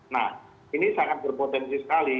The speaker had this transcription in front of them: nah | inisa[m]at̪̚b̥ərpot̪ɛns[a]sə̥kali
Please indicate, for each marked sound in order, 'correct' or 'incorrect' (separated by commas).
incorrect, incorrect